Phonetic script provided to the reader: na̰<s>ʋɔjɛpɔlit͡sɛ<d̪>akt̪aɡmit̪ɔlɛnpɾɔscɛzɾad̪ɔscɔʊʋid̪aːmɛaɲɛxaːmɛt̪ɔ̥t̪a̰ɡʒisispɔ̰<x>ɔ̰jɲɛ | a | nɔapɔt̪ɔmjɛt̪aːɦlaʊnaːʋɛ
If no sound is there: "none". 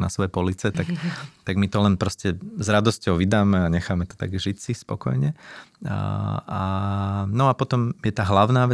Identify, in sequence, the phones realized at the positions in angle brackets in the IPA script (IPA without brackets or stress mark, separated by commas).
s, t̪, k